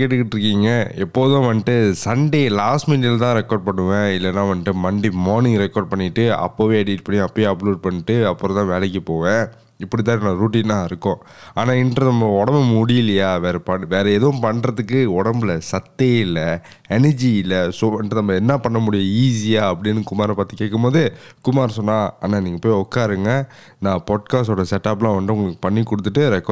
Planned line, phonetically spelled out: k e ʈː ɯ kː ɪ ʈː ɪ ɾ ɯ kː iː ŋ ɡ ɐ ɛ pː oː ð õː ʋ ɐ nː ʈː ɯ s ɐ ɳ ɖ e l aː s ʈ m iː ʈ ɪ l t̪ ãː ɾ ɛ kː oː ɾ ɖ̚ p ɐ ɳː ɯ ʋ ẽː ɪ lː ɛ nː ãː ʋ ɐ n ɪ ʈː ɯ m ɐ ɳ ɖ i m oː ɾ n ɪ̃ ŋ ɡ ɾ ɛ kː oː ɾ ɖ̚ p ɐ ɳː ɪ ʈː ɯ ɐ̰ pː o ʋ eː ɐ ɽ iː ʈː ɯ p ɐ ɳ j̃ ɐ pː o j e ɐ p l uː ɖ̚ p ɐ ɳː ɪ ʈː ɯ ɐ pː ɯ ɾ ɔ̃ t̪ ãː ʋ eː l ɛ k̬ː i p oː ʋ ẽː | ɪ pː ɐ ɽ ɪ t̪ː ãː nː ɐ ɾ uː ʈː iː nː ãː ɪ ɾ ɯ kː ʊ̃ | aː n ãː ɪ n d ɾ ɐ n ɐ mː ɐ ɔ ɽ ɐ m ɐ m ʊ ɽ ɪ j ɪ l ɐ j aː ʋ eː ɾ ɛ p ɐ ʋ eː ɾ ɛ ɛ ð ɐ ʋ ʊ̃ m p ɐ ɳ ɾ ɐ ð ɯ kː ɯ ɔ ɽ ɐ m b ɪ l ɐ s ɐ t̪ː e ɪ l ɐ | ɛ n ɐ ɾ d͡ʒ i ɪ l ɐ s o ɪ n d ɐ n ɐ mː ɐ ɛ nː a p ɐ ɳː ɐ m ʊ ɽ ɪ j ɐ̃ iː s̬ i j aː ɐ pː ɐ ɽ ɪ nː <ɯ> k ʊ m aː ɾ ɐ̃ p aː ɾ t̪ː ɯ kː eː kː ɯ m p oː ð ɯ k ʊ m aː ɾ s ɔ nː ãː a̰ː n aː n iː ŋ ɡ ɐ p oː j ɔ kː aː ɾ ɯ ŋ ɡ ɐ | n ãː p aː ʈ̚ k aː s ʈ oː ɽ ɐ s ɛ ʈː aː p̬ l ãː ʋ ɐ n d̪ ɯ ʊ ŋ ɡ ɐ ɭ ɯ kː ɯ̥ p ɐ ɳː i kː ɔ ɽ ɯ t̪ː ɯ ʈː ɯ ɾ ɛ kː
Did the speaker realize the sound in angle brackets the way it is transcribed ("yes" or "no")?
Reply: yes